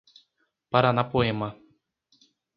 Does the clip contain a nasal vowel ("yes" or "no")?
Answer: no